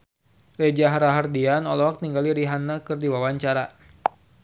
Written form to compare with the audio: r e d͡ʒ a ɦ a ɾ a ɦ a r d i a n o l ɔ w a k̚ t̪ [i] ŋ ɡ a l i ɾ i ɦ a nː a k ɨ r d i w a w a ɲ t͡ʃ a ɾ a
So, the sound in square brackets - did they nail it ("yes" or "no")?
yes